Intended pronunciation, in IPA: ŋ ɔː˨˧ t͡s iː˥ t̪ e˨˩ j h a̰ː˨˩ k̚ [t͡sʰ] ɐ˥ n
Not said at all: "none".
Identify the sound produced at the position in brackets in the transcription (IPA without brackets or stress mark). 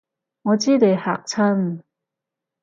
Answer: t͡sʰ